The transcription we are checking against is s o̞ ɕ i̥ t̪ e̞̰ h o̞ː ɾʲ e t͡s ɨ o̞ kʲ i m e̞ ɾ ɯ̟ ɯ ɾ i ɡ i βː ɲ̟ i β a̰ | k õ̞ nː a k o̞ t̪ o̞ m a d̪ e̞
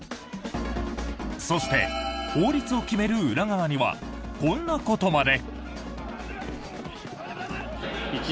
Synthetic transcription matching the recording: s o̞ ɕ i̥ t̪ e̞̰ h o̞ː ɾʲ i t͡s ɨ o̞ kʲ i m e̞ ɾ ɯ̟ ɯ ɾ a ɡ a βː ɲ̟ i β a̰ | k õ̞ nː a k o̞ t̪ o̞ m a d̪ e̞